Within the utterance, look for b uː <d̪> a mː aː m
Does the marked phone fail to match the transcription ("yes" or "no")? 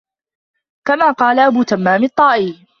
yes